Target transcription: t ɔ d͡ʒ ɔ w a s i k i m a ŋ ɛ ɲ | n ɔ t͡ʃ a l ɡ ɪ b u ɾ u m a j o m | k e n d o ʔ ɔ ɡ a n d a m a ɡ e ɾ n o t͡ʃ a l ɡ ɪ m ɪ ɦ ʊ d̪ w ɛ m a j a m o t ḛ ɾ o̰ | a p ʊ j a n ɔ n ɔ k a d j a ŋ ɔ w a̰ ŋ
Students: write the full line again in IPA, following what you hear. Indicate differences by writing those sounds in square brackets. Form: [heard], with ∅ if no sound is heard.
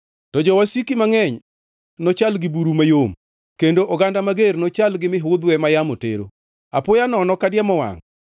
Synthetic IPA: t ɔ d͡ʒ ɔ w a s i k i m a ŋ ɛ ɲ | n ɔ t͡ʃ a l ɡ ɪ b u ɾ u m a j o m | k e n d o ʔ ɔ ɡ a n d a m a ɡ e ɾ n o t͡ʃ a l ɡ ɪ m ɪ ɦ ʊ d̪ w ɛ m a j a m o t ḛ ɾ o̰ | a p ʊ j a n ɔ n ɔ k a d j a [m] ɔ w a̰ ŋ